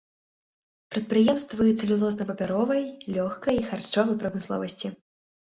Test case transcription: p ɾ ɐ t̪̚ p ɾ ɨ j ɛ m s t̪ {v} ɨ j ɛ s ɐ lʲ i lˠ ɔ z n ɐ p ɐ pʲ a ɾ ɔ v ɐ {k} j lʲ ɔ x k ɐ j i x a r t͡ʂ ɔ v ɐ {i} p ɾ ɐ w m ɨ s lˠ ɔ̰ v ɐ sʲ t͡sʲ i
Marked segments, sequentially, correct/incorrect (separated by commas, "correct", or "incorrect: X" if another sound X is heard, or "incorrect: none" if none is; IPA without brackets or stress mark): correct, incorrect: none, incorrect: j